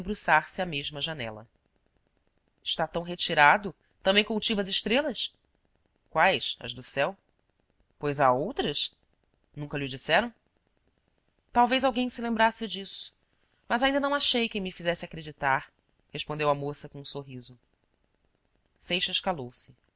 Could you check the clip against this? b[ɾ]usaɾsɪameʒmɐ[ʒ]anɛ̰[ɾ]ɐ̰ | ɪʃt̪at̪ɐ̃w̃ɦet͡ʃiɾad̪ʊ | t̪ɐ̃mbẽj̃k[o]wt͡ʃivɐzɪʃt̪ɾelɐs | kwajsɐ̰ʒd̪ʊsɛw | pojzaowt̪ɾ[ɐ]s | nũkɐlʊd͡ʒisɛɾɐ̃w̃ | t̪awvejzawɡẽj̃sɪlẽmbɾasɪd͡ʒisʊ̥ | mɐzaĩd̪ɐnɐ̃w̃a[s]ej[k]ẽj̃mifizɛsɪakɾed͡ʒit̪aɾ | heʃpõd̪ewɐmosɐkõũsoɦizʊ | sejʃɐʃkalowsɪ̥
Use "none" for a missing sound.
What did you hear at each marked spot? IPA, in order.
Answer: ɾ, ʒ, l, u, ɐ, ʃ, k

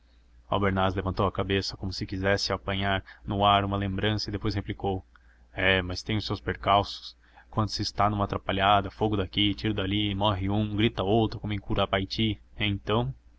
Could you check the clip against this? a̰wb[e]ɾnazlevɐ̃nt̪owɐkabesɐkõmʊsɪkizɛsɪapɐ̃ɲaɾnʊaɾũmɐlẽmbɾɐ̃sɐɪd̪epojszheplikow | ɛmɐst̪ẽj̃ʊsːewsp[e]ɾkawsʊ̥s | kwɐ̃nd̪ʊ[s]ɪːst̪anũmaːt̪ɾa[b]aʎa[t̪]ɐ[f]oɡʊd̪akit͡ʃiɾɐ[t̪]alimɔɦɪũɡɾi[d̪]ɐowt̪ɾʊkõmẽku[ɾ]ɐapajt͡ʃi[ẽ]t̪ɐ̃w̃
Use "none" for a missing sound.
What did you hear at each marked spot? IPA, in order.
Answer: e, e, s, p, d̪, f, d̪, t̪, ɾ, ẽ

